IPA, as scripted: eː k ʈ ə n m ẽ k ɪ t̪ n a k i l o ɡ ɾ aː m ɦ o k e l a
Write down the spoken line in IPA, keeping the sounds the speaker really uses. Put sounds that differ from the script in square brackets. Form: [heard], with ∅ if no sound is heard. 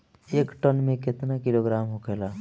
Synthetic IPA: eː k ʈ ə n m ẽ k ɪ t̪ n a k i l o ɡ ɾ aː m ɦ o k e l a